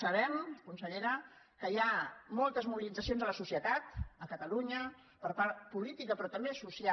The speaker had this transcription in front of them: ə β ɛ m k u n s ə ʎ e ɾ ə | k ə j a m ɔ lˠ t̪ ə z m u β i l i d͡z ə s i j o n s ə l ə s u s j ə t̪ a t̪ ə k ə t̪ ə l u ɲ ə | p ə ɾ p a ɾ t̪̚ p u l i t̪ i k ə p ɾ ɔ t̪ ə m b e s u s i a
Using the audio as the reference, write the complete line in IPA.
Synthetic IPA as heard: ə β ɛ m k u n s ə ʎ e ɾ ə | k ə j a m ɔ lˠ t̪ ə z m u β i l i d͡z ə s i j o n z ə l ə s u s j ə t̪ a t̪ ə k ə t̪ ə l u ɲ ə | p ə ɾ p a ɾ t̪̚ p u l i t̪ i k ə p ɾ ɔ t̪ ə m b e s u s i a